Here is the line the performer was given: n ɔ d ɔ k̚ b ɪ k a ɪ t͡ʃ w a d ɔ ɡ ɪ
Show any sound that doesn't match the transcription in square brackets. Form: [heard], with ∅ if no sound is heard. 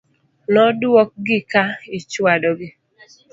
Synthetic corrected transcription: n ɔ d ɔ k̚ [ɡ] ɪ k a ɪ t͡ʃ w a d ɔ ɡ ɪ